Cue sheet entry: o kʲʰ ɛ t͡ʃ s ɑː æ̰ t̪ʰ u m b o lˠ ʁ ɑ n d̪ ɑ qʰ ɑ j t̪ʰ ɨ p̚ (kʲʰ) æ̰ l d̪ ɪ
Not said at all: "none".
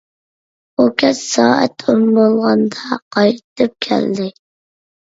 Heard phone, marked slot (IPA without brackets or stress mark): kʲʰ